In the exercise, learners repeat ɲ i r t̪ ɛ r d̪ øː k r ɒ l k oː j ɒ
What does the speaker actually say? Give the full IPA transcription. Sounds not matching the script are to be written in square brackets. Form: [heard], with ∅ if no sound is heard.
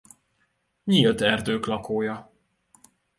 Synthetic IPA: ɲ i [l] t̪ ɛ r d̪ øː k [l] ɒ [∅] k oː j ɒ